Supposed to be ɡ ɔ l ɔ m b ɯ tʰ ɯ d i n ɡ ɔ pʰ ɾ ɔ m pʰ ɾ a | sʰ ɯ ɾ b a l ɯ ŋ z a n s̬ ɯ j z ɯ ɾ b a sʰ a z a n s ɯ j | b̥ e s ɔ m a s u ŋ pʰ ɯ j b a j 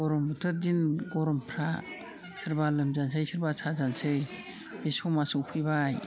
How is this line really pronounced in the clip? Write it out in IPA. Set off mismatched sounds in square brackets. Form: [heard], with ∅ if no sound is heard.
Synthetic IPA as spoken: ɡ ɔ [ɾ] ɔ m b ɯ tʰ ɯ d i n ɡ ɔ [∅] ɾ ɔ m pʰ ɾ a | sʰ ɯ ɾ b a l ɯ [m] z a n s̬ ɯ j [s] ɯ ɾ b a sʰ a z a n s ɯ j | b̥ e s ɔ m a s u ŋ pʰ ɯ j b a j